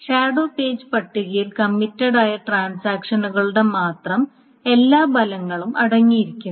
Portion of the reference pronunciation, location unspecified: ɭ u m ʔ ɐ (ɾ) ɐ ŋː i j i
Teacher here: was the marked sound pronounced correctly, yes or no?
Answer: no